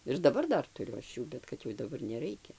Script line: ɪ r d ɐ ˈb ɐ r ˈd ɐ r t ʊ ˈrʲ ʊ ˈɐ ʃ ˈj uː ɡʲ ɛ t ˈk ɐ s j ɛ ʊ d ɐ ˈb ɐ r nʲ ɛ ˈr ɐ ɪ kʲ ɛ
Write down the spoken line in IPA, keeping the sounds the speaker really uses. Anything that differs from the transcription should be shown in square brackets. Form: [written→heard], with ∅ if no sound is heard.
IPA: ɪ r d ɐ ˈb ɐ r ˈd ɐ r t ʊ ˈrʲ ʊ ˈɐ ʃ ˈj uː [ɡʲ→bʲ] ɛ t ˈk ɐ [s→t] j ɛ ʊ d ɐ ˈb ɐ r nʲ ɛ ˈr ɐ ɪ kʲ ɛ